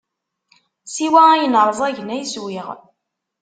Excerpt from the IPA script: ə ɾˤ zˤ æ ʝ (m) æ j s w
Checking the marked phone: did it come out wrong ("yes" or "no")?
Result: yes